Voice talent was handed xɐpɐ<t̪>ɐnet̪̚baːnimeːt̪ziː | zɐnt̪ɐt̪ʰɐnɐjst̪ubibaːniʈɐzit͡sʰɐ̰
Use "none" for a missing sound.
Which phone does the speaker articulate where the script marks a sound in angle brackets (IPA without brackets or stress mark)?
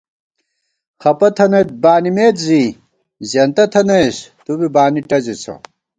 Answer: t̪ʰ